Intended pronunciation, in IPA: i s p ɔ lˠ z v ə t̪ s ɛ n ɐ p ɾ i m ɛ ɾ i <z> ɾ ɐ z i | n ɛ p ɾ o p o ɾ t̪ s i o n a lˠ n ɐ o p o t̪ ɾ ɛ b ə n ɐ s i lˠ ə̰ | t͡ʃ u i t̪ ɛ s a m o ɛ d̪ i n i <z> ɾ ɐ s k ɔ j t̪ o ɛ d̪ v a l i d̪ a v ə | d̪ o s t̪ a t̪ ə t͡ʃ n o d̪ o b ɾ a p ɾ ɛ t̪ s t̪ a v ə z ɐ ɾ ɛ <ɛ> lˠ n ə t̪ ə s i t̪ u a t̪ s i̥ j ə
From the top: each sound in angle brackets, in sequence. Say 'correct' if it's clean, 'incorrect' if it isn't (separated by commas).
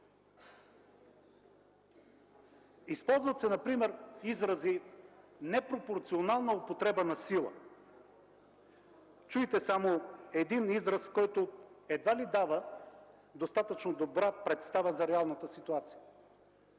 correct, correct, incorrect